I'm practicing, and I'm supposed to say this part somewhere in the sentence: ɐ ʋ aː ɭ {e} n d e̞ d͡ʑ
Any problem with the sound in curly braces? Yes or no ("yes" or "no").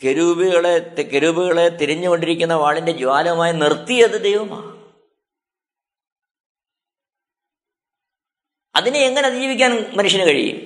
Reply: yes